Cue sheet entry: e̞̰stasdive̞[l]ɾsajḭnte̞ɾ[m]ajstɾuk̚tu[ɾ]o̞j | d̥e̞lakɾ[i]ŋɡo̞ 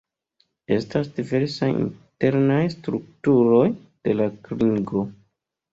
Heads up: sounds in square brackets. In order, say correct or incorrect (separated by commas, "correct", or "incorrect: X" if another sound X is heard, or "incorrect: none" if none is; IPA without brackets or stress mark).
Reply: incorrect: none, incorrect: n, correct, correct